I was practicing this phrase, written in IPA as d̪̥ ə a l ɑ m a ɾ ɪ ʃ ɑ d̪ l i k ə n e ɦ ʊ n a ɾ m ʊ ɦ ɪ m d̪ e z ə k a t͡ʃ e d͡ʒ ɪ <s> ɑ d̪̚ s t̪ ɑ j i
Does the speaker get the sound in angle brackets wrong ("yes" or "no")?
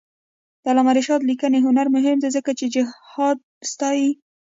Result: yes